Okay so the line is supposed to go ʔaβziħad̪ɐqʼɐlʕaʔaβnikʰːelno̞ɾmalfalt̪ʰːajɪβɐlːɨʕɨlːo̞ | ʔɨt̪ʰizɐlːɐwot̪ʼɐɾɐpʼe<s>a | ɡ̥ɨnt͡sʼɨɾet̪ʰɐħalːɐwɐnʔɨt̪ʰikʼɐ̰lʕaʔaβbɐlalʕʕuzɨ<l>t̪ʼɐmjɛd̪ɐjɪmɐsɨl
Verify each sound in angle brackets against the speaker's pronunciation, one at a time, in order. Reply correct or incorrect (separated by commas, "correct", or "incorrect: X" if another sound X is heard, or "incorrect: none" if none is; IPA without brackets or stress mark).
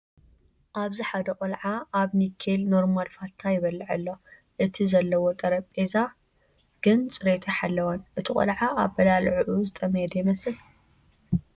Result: incorrect: z, incorrect: none